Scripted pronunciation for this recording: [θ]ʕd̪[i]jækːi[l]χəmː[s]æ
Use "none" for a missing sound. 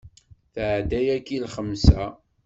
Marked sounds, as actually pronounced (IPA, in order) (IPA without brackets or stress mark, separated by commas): θ, æ, l, s